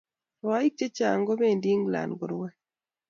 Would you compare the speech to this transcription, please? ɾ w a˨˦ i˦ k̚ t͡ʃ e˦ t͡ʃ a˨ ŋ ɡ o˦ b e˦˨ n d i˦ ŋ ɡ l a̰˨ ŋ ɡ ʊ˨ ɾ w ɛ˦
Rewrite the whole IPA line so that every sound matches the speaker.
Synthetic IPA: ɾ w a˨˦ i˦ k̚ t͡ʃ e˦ t͡ʃ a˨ ŋ ɡ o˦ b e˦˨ n d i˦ ŋ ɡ l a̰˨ n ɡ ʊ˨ ɾ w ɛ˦